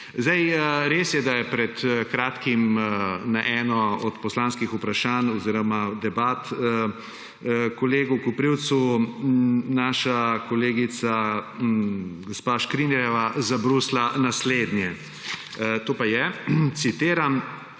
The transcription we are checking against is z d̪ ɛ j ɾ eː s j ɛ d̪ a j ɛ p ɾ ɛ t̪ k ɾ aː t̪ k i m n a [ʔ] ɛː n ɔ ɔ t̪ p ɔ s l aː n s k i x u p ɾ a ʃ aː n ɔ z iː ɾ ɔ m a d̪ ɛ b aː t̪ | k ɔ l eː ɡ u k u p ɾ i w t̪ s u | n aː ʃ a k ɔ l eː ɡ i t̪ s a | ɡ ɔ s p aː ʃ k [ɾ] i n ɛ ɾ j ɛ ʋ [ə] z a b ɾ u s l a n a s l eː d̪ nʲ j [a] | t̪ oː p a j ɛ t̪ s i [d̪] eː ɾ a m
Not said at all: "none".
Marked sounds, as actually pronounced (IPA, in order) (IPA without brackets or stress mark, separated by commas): ʔ, ɾ, a, ɛ, t̪